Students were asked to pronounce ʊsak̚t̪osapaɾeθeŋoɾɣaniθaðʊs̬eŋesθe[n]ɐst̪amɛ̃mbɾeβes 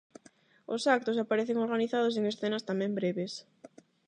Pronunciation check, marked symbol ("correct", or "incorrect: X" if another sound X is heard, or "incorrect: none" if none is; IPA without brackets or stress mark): correct